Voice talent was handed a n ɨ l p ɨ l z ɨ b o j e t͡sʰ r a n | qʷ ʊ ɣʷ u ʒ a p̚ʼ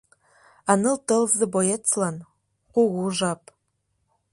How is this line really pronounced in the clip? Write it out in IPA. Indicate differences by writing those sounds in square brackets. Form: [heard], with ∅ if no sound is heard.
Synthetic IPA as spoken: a n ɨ l [t] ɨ l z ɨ b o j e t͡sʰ [l] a n | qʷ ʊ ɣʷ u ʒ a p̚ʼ